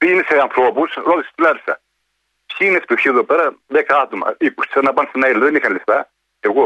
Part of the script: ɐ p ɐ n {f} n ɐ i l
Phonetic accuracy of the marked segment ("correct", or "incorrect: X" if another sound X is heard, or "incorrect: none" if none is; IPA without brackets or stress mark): incorrect: s